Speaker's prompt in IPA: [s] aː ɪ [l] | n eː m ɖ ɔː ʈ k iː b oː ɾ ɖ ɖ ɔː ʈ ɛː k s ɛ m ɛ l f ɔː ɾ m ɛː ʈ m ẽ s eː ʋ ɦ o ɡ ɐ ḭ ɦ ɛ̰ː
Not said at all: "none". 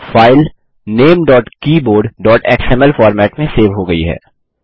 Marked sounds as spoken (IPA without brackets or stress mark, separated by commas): f, l